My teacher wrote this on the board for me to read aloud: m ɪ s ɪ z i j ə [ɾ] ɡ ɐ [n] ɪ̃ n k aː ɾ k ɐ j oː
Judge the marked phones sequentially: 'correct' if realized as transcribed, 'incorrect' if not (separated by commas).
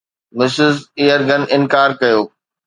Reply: correct, correct